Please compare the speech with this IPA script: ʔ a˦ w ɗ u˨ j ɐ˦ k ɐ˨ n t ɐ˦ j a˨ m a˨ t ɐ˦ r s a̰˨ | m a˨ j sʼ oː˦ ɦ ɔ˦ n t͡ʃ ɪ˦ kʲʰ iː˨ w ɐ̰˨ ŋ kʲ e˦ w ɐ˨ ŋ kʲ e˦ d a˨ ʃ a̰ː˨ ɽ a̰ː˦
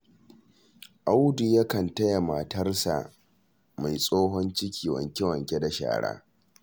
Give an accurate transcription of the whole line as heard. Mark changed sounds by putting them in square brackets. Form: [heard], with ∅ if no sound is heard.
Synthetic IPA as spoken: ʔ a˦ w [d] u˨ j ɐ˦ k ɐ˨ n t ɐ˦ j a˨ m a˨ t ɐ˦ r s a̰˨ | m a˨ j sʼ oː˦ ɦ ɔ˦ n t͡ʃ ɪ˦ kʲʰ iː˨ w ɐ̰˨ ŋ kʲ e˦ w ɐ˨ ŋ kʲ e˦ d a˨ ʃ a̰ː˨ ɽ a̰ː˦